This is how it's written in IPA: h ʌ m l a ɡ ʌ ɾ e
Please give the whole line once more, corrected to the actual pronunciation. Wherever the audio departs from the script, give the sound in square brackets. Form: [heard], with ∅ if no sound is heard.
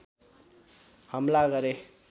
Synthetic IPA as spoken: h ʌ m l a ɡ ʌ ɾ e